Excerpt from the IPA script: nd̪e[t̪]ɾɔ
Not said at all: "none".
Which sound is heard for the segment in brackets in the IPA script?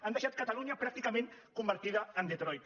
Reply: t̪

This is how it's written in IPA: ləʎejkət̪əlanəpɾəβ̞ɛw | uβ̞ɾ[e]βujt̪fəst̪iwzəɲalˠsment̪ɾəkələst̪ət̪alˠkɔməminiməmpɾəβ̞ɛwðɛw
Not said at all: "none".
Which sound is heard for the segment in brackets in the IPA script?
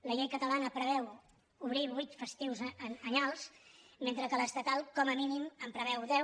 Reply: i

